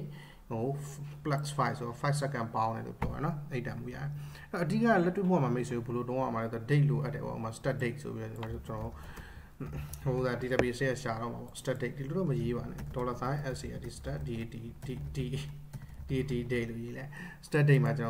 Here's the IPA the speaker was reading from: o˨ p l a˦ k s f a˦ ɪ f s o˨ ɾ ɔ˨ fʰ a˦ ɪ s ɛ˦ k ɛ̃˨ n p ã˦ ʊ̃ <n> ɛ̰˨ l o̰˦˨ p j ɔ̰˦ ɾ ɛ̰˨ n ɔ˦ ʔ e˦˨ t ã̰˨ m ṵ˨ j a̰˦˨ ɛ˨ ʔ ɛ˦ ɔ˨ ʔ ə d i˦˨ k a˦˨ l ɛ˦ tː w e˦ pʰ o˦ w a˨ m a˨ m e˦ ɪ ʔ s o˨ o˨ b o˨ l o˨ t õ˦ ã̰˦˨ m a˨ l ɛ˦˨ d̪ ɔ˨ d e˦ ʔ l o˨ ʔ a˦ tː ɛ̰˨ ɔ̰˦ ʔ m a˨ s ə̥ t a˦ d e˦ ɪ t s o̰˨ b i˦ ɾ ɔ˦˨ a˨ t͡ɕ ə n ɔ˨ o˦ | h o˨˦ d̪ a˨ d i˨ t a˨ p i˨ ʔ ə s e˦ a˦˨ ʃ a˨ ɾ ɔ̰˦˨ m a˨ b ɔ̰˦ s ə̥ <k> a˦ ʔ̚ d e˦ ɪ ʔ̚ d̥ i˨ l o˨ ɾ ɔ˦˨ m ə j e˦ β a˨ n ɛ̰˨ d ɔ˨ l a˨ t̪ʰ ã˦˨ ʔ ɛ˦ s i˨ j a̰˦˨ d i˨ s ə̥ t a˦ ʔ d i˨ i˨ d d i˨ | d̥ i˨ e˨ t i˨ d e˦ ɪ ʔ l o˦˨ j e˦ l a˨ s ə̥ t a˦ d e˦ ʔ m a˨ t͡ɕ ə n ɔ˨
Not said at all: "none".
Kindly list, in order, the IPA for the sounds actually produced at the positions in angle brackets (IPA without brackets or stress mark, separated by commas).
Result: n, t